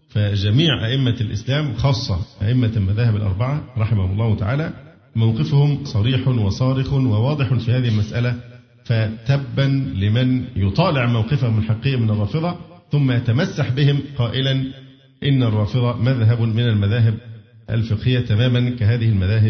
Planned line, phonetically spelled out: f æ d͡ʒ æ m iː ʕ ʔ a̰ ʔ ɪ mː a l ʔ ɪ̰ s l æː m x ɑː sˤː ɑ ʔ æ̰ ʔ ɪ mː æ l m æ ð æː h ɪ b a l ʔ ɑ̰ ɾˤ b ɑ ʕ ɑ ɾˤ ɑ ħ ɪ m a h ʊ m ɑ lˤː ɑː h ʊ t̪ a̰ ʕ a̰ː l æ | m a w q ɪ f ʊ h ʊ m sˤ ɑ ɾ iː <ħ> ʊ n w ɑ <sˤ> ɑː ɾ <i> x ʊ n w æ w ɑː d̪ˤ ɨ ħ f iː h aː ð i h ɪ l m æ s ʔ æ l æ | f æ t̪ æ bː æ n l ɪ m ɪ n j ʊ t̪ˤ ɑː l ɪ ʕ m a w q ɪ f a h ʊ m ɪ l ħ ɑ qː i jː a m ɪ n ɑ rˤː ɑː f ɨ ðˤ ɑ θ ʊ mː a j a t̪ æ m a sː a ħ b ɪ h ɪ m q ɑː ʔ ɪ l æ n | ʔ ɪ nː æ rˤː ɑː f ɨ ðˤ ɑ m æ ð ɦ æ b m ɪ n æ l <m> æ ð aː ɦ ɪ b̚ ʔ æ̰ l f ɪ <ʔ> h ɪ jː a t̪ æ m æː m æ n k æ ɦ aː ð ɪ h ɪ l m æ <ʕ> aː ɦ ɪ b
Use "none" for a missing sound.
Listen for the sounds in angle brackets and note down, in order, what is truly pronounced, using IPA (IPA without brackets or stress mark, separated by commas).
ħ, sˤ, ɪ, m, q, ð